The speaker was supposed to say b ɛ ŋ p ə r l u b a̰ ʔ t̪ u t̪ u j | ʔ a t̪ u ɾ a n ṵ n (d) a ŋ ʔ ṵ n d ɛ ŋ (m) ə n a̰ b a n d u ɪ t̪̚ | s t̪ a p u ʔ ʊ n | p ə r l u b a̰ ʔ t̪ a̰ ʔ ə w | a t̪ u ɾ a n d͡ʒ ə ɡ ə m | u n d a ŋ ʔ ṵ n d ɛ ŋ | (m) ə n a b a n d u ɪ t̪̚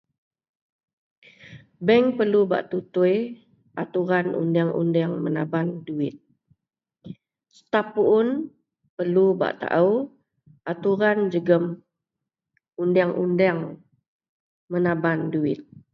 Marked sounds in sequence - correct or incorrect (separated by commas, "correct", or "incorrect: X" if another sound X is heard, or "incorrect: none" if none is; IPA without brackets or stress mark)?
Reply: correct, correct, correct